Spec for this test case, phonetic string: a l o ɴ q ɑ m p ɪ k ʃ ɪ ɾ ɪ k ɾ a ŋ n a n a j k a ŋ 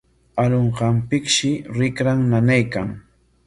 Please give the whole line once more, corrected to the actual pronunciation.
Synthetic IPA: a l o ɴ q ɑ m p ɪ k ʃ ɪ ɾ ɪ k ɾ a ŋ n a n a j k a ŋ